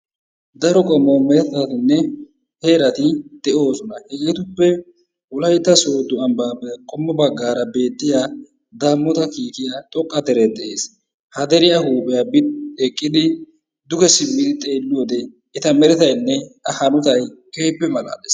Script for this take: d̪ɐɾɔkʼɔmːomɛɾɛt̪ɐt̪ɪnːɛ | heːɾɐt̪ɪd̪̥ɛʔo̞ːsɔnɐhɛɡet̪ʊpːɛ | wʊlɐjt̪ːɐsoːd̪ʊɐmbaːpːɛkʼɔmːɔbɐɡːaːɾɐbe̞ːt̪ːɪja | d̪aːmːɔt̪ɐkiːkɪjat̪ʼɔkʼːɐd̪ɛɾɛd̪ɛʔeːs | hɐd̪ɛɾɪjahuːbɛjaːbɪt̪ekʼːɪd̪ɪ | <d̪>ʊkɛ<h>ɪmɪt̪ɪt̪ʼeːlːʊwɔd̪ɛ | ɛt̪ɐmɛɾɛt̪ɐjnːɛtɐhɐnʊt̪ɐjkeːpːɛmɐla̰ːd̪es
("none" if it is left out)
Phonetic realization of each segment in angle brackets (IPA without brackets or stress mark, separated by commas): d̪, s